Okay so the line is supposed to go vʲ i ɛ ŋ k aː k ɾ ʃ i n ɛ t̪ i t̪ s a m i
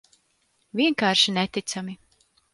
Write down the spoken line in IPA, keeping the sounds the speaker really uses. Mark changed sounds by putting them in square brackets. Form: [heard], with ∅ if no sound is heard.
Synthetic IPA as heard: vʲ i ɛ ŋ k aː [∅] ɾ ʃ i n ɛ t̪ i t̪ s a m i